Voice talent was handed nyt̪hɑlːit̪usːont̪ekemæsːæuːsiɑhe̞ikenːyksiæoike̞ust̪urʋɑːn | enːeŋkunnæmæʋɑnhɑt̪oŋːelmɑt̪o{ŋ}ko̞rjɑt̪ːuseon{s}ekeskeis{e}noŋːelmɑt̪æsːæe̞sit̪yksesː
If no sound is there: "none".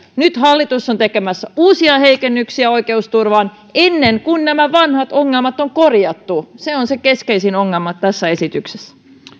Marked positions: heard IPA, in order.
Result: ŋ, s, i

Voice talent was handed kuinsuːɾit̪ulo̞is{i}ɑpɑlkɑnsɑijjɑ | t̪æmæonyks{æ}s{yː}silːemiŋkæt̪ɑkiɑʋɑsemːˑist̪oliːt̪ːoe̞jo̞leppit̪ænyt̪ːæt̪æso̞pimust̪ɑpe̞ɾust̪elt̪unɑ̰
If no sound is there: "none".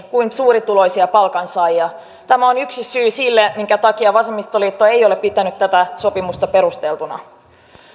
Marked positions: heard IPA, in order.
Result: i, i, yː

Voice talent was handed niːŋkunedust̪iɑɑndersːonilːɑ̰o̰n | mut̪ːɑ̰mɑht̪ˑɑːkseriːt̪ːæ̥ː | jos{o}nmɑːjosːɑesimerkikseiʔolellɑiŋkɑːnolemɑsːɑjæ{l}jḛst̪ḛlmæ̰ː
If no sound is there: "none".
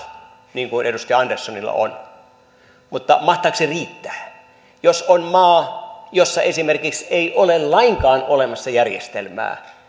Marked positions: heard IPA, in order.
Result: o, r

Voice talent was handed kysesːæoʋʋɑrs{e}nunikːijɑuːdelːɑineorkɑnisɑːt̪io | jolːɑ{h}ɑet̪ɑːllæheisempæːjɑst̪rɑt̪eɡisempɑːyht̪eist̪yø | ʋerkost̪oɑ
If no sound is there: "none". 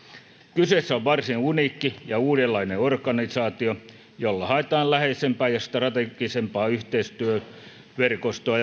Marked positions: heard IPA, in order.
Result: i, h

